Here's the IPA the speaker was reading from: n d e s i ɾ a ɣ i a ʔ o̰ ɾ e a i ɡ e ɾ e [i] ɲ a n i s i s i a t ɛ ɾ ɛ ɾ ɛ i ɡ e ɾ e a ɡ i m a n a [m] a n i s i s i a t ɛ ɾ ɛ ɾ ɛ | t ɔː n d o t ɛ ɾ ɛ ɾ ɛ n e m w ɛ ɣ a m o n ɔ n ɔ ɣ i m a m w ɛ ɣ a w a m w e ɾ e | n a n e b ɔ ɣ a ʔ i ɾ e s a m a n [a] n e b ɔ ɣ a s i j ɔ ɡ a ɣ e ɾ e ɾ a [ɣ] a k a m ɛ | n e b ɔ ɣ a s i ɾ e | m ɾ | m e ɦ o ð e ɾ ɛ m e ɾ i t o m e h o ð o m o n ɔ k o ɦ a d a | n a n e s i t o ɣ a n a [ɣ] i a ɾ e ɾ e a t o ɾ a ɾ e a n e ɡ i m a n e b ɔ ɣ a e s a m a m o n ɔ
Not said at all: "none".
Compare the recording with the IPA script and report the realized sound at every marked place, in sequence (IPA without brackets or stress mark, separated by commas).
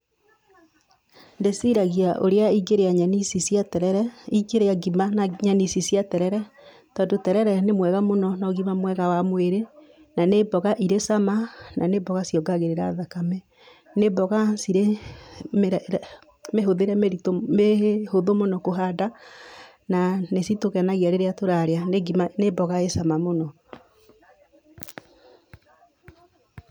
a, ɲ, a, ð, ɣ